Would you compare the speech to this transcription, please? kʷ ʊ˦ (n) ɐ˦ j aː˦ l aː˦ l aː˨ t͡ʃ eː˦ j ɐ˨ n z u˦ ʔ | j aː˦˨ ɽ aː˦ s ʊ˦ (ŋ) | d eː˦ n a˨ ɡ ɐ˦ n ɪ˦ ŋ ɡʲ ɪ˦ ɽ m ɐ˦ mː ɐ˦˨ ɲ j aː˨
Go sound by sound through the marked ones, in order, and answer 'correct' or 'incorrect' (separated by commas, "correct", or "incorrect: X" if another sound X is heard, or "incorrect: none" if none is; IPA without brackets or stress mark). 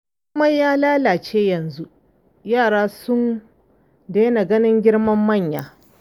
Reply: incorrect: m, incorrect: n